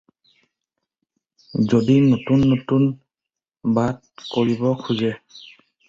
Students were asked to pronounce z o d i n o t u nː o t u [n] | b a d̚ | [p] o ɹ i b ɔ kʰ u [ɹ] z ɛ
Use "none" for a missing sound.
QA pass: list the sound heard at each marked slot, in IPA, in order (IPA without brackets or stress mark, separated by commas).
n, k, none